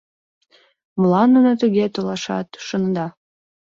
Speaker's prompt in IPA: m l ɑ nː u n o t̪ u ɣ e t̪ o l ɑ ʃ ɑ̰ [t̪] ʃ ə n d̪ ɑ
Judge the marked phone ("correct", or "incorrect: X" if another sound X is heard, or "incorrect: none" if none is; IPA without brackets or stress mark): correct